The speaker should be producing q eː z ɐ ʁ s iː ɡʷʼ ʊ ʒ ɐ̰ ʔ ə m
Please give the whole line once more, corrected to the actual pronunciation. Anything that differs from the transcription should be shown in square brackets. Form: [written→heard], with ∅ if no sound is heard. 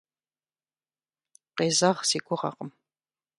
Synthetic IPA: q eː z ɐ ʁ s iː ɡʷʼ ʊ [ʒ→ʁ] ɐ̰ [ʔ→q] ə m